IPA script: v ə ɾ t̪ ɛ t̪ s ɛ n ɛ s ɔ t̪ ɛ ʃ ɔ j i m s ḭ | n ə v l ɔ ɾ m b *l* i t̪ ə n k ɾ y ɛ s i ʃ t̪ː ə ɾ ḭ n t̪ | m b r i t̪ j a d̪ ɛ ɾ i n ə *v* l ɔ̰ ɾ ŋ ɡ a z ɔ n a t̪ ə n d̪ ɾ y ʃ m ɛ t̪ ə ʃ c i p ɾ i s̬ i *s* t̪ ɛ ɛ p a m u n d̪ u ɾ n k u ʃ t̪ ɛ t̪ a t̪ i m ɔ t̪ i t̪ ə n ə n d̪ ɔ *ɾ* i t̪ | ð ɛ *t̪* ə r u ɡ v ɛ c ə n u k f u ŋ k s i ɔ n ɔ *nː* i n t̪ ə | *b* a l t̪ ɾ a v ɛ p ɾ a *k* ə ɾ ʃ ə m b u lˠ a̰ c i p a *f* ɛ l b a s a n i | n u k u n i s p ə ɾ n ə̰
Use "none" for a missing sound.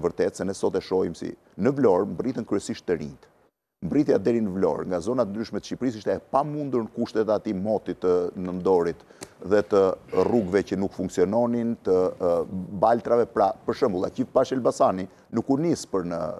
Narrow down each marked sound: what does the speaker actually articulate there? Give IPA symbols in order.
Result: r, v, ʃ, ɾ, t̪, n, b, p, ʃ

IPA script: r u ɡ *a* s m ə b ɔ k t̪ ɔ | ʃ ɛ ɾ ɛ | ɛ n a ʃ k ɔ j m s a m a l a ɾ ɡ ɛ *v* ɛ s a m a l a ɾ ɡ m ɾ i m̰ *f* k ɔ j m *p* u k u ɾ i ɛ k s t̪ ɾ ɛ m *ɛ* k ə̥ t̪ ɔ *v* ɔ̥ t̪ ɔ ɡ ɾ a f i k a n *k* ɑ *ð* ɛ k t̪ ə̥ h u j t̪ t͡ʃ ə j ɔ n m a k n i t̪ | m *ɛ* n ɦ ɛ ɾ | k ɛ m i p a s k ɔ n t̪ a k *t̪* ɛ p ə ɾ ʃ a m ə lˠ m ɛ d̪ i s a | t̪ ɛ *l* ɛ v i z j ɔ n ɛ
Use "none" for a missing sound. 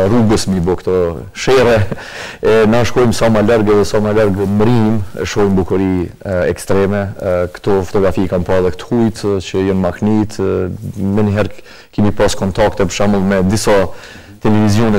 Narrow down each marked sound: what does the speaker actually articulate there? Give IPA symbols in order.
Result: ə, ð, ʃ, b, ɛ, f, p, ð, ɛ, t̪, l

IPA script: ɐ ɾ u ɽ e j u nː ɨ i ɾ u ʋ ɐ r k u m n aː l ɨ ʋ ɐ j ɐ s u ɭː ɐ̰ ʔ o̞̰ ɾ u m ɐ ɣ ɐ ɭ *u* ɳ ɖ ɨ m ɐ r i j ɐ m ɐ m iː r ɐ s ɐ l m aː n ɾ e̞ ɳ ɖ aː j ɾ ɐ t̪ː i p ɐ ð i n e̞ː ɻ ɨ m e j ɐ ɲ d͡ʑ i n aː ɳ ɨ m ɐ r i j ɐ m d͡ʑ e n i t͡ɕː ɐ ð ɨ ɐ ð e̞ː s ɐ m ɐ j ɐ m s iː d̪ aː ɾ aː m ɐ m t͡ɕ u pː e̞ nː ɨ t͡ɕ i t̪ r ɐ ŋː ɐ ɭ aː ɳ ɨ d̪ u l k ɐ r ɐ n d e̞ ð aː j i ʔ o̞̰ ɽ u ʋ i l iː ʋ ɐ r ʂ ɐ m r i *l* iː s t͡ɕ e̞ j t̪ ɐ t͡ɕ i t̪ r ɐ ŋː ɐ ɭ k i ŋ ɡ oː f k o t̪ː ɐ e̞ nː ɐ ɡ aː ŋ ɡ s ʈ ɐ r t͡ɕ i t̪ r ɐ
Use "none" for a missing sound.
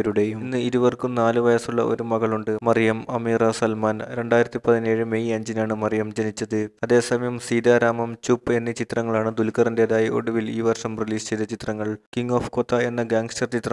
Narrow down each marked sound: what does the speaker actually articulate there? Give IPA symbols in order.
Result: u, l

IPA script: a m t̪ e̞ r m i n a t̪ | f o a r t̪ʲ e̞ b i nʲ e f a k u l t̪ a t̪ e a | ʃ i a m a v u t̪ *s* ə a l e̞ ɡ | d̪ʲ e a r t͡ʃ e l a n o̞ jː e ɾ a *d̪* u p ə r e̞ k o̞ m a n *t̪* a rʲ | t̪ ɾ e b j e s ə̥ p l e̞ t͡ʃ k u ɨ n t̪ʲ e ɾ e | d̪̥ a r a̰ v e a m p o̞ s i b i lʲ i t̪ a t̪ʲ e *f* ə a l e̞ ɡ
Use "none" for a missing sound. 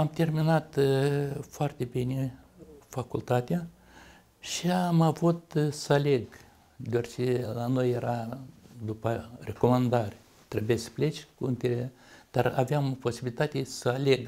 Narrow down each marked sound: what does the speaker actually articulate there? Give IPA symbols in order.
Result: s, d̪, d̪, s

